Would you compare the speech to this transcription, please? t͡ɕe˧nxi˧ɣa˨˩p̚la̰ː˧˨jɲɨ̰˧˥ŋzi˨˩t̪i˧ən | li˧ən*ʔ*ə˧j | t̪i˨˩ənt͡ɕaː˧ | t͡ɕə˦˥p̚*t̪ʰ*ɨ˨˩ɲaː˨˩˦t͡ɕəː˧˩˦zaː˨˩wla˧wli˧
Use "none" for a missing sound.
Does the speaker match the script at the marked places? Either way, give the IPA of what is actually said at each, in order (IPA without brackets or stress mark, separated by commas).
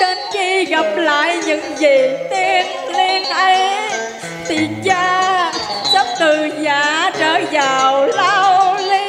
ʔ, t̪